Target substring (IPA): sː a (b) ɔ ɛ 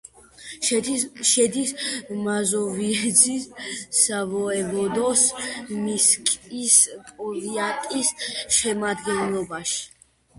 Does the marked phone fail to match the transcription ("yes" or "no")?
yes